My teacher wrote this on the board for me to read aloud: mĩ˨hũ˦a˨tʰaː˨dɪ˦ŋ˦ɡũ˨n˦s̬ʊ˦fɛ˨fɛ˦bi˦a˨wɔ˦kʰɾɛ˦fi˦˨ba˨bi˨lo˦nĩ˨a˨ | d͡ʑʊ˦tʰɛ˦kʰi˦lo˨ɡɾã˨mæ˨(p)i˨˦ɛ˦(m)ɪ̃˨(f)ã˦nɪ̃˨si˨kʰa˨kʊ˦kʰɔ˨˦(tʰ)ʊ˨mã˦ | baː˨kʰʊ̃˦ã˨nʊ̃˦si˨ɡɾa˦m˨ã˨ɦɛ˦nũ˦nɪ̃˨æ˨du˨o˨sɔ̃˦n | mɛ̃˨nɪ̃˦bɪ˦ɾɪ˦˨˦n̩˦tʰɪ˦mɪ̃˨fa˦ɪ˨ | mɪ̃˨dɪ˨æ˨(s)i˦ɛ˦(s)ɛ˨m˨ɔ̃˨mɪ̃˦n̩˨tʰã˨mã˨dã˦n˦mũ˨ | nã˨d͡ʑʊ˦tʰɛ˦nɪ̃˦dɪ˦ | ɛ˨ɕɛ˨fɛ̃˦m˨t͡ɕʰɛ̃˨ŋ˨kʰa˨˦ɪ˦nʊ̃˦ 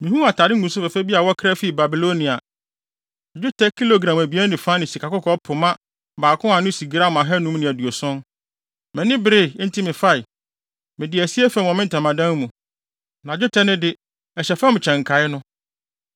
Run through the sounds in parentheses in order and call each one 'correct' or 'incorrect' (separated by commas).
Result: incorrect, incorrect, correct, incorrect, correct, incorrect